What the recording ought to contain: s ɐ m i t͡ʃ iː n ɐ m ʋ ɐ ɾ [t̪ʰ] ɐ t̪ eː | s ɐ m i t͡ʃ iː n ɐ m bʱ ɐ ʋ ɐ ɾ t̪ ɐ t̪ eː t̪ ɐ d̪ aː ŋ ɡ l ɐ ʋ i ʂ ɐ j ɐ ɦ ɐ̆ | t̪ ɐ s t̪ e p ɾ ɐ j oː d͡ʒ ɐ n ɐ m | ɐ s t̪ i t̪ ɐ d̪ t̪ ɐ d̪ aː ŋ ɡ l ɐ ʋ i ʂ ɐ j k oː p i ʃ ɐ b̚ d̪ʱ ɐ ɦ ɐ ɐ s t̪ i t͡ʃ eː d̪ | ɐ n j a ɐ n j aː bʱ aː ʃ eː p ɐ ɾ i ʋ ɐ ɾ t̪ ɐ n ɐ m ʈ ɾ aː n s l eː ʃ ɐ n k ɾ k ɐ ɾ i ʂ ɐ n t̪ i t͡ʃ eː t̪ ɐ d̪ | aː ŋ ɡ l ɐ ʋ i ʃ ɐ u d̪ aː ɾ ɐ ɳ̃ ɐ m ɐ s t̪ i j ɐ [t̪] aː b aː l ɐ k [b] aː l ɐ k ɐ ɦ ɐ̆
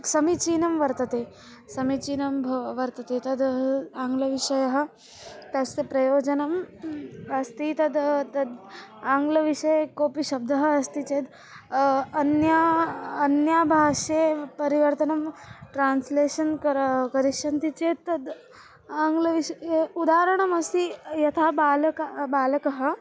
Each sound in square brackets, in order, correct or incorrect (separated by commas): incorrect, incorrect, correct